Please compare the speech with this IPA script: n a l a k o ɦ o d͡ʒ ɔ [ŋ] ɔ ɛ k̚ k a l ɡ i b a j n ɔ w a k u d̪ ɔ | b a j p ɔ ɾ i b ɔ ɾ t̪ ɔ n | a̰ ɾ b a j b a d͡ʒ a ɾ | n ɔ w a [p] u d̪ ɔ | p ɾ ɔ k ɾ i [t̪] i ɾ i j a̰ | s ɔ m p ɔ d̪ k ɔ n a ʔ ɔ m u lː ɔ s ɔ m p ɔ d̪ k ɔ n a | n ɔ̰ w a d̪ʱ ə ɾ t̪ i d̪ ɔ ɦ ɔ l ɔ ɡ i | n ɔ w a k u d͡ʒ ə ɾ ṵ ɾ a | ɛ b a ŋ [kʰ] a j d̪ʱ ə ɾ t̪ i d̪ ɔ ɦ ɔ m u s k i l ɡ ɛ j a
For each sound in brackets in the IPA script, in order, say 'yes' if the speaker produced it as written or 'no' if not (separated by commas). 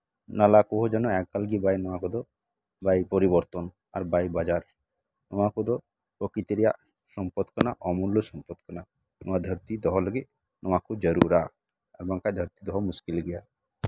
no, no, yes, no